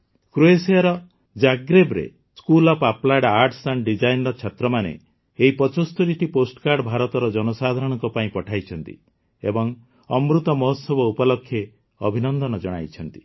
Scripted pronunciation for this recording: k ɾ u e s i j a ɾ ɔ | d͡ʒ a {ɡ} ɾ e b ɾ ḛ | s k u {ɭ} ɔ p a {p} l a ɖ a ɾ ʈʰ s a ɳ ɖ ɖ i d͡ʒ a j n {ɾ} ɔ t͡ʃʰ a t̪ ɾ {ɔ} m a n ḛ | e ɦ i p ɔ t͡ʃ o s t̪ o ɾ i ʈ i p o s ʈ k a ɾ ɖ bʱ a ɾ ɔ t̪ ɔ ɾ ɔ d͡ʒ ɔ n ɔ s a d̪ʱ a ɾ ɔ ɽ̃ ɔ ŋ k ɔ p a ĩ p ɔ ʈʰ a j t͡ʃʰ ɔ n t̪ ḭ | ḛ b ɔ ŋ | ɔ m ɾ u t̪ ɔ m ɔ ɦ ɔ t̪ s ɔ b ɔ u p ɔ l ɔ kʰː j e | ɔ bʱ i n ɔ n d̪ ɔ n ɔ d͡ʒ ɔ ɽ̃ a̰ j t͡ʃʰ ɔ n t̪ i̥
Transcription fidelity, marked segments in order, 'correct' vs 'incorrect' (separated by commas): correct, incorrect, correct, correct, correct